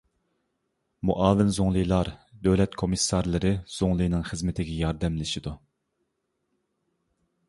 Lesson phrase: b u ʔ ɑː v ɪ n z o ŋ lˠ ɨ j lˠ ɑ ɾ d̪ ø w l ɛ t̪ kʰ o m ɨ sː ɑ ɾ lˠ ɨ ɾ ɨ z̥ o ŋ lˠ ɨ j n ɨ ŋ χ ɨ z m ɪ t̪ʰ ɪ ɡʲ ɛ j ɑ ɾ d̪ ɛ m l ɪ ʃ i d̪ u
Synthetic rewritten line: m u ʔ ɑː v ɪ n z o ŋ lˠ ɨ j lˠ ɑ ɾ d̪ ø w l ɛ t̪ kʰ o m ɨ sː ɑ ɾ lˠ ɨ ɾ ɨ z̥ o ŋ lˠ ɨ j n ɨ ŋ χ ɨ z m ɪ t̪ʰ ɪ ɡʲ ɛ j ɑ ɾ d̪ ɛ m l ɪ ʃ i d̪ u